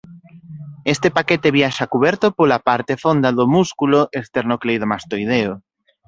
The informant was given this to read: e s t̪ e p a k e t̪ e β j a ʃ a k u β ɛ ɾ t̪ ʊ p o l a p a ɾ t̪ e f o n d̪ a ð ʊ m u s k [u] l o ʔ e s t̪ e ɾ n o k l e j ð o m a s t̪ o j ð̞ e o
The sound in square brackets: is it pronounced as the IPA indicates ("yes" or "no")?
yes